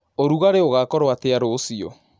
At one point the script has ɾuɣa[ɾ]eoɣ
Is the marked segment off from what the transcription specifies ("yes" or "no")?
no